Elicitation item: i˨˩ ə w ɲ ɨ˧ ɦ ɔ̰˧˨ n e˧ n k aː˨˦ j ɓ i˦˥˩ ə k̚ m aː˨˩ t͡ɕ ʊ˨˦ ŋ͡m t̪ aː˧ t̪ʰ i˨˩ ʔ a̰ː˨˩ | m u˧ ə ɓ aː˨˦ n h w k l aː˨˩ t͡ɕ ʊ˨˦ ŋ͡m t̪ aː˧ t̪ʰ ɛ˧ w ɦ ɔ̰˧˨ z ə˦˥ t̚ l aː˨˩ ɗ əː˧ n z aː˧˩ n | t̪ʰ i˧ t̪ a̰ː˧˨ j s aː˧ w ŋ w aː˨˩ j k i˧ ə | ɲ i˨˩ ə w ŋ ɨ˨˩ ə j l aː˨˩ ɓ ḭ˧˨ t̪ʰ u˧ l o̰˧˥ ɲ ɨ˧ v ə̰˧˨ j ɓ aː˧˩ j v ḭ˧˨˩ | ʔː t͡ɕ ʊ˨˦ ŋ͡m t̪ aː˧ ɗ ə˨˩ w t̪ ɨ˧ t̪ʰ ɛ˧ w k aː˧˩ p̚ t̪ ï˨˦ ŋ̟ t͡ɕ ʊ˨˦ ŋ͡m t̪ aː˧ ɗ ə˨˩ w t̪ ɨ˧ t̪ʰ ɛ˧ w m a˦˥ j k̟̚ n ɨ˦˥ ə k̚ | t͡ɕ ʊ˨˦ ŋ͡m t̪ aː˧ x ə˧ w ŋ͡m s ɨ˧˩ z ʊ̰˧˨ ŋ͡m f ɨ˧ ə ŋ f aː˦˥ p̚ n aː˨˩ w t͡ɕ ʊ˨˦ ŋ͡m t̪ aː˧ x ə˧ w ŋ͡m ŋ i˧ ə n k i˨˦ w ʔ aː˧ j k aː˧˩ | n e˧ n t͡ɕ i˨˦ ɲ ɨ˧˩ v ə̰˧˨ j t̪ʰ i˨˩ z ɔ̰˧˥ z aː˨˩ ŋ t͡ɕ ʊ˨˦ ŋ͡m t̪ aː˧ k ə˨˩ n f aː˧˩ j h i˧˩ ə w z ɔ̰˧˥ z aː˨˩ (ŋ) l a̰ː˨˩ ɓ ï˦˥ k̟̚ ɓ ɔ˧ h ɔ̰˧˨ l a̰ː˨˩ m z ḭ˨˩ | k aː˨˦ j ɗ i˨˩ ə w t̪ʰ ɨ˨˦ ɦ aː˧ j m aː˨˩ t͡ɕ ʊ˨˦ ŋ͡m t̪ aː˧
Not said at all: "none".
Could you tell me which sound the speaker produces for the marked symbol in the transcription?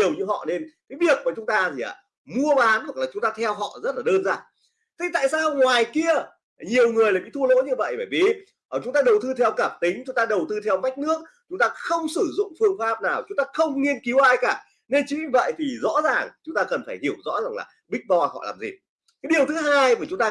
ŋ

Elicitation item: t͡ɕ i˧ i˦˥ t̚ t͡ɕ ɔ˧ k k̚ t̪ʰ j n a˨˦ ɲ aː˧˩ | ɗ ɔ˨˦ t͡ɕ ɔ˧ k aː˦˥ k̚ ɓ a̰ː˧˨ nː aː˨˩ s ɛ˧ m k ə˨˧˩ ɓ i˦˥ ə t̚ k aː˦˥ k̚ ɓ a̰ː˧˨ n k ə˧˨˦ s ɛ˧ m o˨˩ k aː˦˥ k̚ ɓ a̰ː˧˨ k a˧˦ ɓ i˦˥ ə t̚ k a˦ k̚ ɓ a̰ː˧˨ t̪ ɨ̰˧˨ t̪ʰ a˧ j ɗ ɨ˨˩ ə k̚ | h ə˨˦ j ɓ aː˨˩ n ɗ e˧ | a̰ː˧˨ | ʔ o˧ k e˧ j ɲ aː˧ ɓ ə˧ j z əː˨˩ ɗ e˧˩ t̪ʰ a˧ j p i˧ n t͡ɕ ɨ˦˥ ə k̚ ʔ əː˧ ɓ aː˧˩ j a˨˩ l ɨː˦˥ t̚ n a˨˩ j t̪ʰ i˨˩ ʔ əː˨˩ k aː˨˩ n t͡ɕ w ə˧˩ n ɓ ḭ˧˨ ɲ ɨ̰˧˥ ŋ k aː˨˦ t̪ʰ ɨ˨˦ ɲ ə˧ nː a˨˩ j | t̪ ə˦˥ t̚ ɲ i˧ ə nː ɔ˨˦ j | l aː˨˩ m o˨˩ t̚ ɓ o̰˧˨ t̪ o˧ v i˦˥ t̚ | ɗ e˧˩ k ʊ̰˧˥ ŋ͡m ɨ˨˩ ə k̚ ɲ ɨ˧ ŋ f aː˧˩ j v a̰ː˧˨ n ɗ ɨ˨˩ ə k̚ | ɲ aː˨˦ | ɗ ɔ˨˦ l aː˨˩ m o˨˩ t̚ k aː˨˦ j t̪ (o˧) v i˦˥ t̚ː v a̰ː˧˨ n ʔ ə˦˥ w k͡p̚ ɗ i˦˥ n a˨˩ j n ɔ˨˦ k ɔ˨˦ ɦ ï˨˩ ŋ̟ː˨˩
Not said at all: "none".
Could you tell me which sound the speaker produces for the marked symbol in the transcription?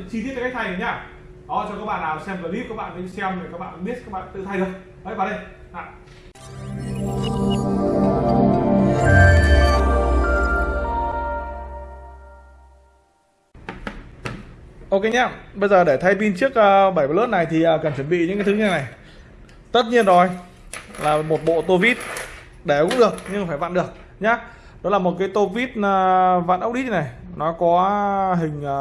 o˧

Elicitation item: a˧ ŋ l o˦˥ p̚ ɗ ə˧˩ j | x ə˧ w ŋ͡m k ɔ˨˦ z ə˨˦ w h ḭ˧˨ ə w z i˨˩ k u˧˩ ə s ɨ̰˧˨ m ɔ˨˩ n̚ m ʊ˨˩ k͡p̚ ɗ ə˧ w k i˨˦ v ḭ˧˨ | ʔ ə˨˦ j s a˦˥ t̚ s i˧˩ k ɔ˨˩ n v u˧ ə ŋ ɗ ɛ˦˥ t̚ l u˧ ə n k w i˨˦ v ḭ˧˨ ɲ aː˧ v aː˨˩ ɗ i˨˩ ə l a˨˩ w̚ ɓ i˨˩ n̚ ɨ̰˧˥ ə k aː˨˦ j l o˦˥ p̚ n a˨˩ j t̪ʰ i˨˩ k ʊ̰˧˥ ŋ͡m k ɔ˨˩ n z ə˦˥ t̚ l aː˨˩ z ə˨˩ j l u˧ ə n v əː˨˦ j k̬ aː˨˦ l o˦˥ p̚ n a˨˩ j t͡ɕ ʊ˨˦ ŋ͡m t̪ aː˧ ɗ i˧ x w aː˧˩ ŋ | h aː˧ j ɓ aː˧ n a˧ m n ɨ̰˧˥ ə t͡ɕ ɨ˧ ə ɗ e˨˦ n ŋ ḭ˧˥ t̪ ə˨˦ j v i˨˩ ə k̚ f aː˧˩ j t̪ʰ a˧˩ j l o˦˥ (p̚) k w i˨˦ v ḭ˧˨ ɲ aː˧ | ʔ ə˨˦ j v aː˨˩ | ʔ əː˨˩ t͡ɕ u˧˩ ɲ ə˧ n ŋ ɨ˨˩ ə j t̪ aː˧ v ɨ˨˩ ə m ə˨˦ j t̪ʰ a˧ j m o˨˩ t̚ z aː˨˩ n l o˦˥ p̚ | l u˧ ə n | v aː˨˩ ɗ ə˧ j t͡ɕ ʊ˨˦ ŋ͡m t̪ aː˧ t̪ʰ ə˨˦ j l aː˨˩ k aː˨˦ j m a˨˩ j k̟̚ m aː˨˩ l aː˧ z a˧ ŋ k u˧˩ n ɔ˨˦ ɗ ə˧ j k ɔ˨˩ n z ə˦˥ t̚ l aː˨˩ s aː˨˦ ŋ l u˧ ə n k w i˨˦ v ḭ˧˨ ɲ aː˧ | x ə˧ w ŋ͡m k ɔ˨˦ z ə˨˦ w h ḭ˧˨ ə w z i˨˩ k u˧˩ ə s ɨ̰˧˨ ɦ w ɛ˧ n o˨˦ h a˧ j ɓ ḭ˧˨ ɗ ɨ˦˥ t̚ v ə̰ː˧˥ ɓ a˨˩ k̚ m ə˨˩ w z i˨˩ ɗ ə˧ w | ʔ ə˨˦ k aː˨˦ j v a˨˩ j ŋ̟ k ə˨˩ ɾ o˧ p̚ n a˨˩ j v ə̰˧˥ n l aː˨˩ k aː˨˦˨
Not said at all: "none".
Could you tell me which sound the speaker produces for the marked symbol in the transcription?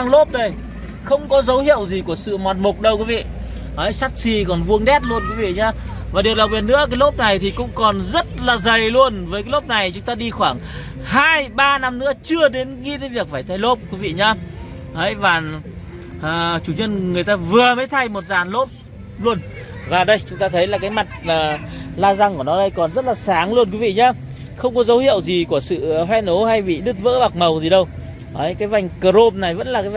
p̚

